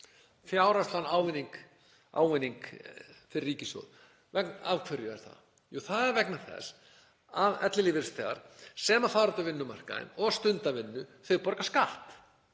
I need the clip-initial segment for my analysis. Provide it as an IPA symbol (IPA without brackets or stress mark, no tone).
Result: f